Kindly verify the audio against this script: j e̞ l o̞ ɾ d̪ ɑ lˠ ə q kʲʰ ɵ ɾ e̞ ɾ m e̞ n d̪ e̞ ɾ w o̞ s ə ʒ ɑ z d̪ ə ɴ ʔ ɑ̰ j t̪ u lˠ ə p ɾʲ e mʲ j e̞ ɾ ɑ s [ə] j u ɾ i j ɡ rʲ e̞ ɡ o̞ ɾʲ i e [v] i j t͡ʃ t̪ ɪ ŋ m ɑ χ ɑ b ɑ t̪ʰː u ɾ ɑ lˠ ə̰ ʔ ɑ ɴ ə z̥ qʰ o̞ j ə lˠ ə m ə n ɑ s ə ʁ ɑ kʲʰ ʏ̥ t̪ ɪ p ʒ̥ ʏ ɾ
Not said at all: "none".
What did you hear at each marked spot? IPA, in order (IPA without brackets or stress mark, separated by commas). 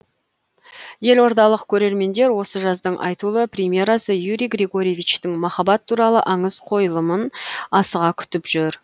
ə, v